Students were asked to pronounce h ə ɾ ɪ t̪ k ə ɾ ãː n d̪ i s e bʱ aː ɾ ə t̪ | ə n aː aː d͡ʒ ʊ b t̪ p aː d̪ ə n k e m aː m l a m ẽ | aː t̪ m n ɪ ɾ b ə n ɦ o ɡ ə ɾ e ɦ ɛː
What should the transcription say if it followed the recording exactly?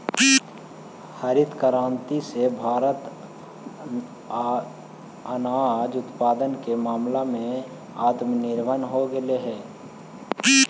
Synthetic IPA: h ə ɾ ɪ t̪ k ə ɾ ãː n t̪ i s e bʱ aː ɾ ə t̪ | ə n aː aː d͡ʒ ʊ t̪ p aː d̪ ə n k e m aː m l a m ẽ | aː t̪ m n ɪ ɾ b ə n ɦ o ɡ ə l e ɦ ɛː